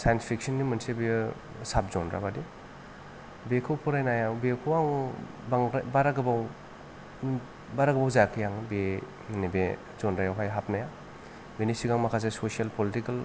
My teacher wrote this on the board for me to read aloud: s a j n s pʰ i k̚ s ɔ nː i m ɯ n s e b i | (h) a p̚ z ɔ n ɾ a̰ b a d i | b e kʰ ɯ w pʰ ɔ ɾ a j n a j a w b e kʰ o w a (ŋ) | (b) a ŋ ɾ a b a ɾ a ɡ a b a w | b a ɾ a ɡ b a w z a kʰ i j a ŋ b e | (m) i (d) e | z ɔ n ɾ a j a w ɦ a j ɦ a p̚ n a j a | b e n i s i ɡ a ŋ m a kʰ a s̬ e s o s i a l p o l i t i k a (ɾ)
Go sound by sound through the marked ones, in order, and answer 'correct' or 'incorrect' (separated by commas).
incorrect, correct, correct, incorrect, incorrect, incorrect